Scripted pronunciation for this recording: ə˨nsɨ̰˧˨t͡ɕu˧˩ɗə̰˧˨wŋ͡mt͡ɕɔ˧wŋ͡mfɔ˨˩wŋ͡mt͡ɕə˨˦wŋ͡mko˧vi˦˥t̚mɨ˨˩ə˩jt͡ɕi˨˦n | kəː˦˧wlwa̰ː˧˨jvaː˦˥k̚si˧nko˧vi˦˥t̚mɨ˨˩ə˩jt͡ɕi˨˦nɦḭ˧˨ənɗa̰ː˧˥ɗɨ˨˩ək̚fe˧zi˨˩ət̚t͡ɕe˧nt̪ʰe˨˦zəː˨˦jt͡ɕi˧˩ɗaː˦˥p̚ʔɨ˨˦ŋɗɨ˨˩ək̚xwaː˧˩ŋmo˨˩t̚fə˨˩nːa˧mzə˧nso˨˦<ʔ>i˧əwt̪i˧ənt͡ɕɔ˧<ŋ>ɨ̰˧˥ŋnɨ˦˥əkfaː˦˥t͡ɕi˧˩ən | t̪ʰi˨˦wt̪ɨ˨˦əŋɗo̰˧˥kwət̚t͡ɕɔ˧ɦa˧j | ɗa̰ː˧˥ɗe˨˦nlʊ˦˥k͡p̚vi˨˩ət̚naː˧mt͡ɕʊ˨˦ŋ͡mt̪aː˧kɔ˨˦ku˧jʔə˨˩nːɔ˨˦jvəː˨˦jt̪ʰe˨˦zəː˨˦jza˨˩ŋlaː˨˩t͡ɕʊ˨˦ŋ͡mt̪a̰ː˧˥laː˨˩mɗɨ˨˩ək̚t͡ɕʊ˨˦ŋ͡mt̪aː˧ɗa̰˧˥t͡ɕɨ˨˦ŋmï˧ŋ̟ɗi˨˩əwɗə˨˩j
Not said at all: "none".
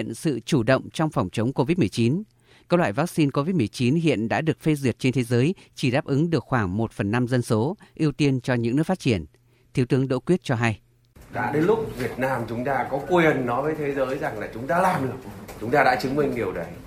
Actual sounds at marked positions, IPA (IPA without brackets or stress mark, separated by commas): ʔ, ɲ